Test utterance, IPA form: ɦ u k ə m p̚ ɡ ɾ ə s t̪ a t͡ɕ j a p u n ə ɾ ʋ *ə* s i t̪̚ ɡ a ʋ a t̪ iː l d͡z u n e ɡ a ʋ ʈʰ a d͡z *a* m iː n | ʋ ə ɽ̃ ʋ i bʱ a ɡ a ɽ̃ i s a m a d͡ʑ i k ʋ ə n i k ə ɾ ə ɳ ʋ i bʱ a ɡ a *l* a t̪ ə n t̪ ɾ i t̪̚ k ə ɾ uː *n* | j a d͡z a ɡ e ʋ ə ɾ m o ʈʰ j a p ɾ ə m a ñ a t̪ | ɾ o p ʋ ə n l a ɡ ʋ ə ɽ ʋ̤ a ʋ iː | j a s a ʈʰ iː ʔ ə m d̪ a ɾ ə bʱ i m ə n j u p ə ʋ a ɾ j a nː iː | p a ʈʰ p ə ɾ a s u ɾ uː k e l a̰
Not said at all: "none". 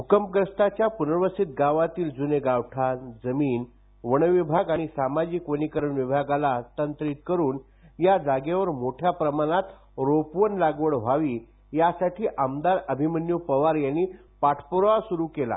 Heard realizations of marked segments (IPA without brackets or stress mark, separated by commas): ə, ə, l, n